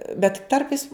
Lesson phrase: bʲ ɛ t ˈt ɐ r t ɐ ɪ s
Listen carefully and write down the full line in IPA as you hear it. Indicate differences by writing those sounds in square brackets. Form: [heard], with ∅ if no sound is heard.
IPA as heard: bʲ ɛ t ˈt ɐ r [p] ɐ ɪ s